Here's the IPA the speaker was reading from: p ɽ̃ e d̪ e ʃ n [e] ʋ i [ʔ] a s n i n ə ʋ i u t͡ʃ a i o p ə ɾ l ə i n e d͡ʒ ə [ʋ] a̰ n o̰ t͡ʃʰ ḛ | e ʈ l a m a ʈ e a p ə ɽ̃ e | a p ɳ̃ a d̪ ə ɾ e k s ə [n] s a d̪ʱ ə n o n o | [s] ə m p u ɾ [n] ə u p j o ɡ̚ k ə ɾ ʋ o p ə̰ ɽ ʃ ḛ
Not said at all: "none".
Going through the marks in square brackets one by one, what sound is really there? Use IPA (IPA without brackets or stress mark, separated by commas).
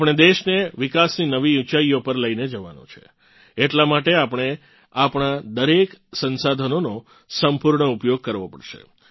e, k, ʋ, n, s, ɳ